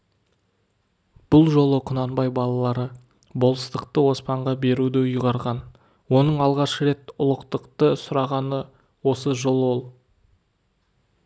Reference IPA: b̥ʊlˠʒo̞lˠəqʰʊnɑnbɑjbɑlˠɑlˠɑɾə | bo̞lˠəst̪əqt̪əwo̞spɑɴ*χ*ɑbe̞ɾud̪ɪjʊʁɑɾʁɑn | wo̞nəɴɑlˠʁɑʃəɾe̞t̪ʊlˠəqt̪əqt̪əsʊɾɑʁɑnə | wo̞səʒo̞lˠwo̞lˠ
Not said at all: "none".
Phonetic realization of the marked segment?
ʁ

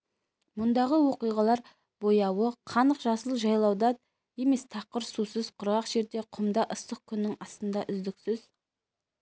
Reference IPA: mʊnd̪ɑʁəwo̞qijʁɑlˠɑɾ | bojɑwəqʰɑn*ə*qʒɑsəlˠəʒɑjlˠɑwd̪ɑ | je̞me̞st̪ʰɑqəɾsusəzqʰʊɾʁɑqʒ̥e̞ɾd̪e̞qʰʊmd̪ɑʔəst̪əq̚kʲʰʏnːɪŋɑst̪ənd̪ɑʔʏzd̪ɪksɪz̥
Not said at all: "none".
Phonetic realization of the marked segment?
ə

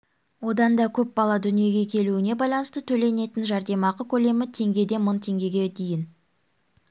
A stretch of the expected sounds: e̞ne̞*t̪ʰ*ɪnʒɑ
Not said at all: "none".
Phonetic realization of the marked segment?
t̪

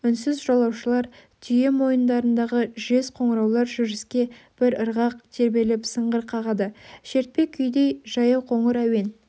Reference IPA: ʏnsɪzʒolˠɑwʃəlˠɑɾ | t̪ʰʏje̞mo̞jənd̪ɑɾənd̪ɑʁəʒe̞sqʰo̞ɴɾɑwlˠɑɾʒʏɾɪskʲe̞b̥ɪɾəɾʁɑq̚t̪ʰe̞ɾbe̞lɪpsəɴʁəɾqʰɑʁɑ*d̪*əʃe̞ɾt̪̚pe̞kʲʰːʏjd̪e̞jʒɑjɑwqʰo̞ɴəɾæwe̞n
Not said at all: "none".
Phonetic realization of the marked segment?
d̪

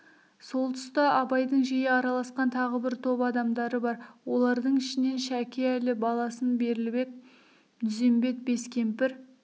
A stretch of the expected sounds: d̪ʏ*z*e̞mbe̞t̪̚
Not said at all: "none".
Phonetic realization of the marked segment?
z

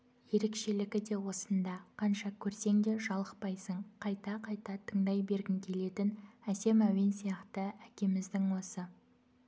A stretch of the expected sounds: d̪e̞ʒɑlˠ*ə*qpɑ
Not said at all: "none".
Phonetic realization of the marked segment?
ə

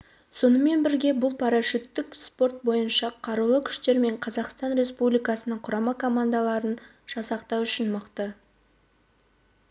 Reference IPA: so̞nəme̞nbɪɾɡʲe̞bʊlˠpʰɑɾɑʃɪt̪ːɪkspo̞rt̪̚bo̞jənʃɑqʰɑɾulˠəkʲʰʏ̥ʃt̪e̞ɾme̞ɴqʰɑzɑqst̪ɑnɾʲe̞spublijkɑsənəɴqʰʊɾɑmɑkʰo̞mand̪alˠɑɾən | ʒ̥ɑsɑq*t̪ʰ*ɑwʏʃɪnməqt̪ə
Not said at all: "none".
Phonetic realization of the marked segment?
t̪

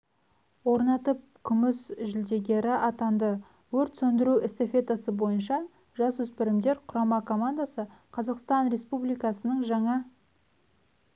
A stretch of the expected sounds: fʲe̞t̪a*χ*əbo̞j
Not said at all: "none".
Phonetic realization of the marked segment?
s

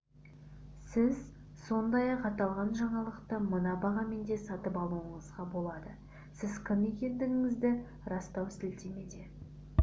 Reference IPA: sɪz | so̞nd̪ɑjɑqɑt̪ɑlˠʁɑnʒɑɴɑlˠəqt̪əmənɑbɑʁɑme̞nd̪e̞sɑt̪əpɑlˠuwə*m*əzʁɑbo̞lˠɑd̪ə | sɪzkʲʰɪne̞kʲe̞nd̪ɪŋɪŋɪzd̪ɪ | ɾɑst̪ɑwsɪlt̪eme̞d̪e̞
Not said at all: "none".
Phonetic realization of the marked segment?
ɴ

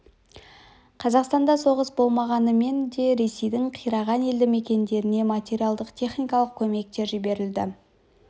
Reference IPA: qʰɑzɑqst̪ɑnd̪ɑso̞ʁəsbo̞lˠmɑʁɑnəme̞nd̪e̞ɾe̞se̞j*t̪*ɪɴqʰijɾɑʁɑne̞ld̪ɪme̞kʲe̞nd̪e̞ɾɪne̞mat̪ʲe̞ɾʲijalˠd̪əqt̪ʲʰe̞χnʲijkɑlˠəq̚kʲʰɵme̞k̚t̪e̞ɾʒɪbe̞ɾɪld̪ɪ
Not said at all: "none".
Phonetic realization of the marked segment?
d̪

